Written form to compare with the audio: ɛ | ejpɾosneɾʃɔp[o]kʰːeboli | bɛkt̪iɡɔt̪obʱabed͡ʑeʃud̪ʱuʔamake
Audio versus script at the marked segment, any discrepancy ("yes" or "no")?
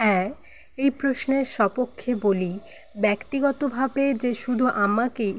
no